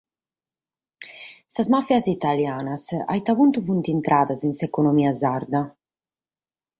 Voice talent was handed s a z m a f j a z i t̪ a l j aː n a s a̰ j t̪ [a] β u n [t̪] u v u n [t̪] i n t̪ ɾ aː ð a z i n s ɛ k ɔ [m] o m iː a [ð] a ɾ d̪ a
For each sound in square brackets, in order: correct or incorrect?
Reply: correct, correct, correct, incorrect, incorrect

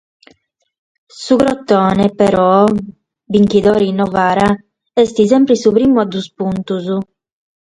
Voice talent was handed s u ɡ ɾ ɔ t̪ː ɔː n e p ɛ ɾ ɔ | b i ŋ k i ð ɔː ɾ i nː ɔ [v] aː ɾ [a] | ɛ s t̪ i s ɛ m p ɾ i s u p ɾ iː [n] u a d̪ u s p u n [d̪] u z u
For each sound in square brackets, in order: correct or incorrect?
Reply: correct, correct, incorrect, incorrect

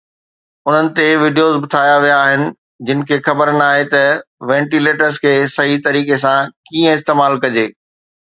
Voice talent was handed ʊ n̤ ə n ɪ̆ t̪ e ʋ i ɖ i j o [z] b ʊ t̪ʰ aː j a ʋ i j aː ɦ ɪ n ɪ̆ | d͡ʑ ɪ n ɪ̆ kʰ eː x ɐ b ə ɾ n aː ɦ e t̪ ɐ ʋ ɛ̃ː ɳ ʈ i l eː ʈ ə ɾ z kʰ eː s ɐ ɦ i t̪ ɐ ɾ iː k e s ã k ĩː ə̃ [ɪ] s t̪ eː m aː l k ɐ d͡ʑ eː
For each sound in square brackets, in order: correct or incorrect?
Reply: correct, correct

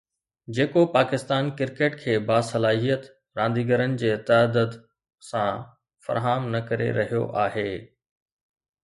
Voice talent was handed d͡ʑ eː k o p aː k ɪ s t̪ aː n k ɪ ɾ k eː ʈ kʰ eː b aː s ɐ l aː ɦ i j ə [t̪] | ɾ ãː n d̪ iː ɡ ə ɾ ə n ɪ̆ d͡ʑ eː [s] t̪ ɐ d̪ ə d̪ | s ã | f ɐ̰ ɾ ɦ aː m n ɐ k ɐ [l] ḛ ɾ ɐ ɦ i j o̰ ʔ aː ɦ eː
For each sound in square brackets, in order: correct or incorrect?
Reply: correct, incorrect, incorrect

